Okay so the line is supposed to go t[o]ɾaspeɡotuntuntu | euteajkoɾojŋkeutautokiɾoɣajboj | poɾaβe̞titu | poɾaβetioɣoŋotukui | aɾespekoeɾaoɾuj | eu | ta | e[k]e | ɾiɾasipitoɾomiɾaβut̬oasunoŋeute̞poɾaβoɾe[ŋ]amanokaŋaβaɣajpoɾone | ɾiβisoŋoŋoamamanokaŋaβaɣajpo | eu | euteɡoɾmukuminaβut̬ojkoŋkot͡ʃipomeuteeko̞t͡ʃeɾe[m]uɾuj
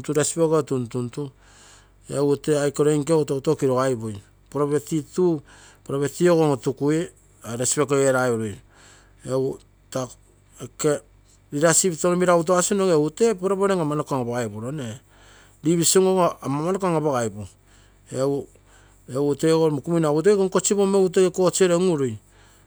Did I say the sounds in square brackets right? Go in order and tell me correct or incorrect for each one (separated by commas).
incorrect, correct, correct, incorrect